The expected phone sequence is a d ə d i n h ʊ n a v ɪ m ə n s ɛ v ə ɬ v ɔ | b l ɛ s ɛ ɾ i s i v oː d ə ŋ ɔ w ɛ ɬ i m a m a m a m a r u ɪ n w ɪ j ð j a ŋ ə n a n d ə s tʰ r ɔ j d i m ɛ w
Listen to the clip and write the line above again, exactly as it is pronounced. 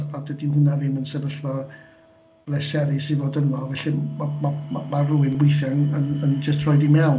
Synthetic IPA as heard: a d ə d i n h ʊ n a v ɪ m ə n s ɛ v ə ɬ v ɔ | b l ɛ s ɛ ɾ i s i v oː d ə n ɔ v ɛ ɬ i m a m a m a m a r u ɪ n w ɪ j θ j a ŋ ə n ə n d͡ʒ ə s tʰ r ɔ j d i m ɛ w